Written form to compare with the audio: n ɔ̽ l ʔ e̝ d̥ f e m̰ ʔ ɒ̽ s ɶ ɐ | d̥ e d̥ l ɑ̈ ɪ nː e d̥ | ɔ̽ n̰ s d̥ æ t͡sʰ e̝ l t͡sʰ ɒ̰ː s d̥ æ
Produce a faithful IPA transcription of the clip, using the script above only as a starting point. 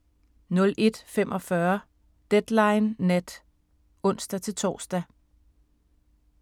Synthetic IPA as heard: n ɔ̽ l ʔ e̝ d̥ f e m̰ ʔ ɒ̽ f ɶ ɐ | d̥ e d̥ l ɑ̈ ɪ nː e d̥ | ɔ̽ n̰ s d̥ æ t͡sʰ e̝ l t͡sʰ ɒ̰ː s d̥ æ